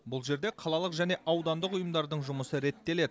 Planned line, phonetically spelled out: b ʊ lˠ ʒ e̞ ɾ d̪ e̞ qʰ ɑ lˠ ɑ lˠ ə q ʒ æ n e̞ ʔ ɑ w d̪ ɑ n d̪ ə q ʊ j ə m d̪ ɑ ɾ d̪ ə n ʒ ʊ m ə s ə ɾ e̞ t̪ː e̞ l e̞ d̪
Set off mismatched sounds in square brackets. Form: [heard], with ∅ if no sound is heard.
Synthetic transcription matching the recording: b ʊ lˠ ʒ e̞ ɾ d̪ e̞ qʰ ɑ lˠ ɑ lˠ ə q ʒ æ n e̞ ʔ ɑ w d̪ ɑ n d̪ ə q ʊ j ə m d̪ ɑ ɾ d̪ ə [ɴ] ʒ ʊ m ə s ə ɾ e̞ t̪ː e̞ l e̞ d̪